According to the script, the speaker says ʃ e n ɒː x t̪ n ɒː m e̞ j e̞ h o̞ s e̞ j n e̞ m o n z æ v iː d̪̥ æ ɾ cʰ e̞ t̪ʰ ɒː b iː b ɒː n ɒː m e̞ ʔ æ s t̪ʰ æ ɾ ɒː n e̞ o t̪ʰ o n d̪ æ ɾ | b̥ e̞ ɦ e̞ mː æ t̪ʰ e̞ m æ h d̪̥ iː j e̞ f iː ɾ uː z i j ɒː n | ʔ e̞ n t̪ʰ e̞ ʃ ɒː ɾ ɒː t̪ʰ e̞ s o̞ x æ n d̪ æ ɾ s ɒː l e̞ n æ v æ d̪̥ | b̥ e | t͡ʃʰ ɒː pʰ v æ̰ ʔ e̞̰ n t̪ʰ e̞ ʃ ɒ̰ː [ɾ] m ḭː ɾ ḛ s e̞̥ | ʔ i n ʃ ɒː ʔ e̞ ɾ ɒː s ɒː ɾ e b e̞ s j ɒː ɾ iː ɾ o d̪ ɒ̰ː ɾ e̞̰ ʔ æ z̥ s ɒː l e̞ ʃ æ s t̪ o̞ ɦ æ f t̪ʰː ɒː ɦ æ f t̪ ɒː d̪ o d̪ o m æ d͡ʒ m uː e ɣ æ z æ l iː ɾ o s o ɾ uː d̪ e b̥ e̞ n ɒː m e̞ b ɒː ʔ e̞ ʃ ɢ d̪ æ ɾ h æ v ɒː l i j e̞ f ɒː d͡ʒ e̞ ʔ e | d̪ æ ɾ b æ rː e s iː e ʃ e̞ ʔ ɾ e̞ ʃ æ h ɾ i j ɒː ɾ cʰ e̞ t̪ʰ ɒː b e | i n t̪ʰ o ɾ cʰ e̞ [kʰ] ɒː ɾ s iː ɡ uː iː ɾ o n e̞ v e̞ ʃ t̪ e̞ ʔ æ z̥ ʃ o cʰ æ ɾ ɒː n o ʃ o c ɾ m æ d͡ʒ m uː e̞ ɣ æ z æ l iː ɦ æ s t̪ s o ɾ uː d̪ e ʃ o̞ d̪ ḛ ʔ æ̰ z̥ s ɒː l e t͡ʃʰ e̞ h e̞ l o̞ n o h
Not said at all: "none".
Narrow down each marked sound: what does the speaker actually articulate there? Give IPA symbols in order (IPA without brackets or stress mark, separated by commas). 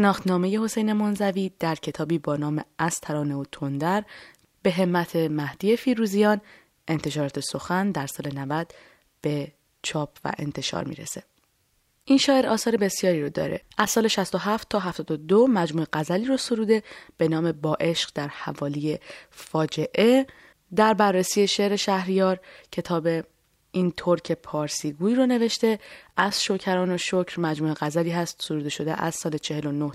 ɾ, pʰ